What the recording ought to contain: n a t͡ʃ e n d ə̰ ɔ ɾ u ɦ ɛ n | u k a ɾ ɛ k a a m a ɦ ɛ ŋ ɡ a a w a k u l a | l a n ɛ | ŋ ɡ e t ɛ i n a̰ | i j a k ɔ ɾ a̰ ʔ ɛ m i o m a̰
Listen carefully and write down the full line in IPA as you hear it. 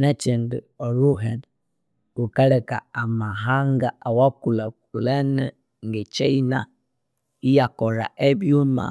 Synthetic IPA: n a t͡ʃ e n d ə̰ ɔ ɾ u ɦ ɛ n | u k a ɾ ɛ k a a m a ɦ a ŋ ɡ a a w a k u l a | l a n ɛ | ŋ ɡ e t͡ʃ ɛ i n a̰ | i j a k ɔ ɾ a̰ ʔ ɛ b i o m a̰

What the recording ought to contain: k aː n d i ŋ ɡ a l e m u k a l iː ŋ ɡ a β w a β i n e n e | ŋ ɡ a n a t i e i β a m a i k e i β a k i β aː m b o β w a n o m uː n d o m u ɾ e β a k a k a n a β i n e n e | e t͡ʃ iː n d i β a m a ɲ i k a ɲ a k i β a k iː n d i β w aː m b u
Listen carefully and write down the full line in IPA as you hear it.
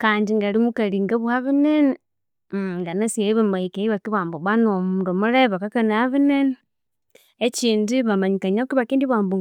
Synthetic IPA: k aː n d i ŋ ɡ a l i m u k a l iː ŋ ɡ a β w a β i n e n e | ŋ ɡ a n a s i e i β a m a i k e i β a k i β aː m b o β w a n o m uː n d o m u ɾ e β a k a k a n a β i n e n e | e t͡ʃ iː n d i β a m a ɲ i k a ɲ a k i β a k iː n d i β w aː m b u

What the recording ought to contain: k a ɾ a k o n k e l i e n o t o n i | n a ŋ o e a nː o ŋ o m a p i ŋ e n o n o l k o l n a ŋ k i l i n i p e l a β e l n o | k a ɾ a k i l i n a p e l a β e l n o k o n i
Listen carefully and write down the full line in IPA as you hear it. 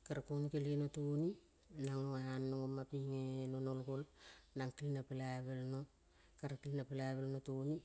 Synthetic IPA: k a ɾ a k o n k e l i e n o t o n i | n a ŋ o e a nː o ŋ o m a p i ŋ e n o n o l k o l n a ŋ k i l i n a p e l a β e l n o | k a ɾ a k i l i n a p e l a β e l n o t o n i

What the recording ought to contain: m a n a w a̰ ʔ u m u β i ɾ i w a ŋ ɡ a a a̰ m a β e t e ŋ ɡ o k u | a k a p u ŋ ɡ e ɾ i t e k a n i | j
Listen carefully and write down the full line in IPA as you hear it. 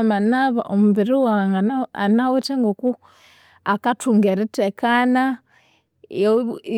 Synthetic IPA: m a n a β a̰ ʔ o m u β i ɾ i w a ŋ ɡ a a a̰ n a w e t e ŋ ɡ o k u | a k a t u ŋ ɡ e ɾ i t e k a n a | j

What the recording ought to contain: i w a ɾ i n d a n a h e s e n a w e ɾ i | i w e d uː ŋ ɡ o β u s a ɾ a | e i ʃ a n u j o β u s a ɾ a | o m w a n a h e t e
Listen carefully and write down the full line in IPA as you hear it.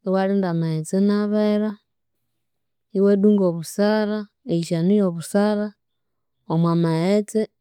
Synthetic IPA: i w a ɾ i n d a m a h e t͡s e n a β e ɾ a | i w e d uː ŋ ɡ o β u s a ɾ a | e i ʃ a n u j o β u s a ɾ a | o m w a m a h e t͡s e

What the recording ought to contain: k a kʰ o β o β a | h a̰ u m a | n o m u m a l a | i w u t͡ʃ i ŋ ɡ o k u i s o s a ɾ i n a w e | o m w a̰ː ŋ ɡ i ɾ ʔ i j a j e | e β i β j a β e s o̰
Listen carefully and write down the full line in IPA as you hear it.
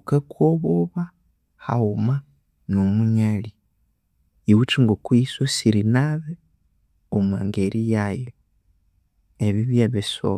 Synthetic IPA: k a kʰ o β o β a | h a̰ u m a | n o m u ɲ a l i | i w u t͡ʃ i ŋ ɡ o k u i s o s i ɾ i n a β e | o m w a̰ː ŋ ɡ e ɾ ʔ i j a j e | e β i β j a β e s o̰

